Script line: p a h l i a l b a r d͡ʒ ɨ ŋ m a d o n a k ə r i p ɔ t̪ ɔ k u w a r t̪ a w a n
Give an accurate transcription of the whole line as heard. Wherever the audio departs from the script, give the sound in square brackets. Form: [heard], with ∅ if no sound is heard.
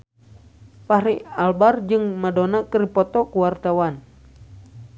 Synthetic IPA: p a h [ɾ] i a l b a r d͡ʒ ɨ ŋ m a d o n a k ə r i p ɔ t̪ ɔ k u w a r t̪ a w a n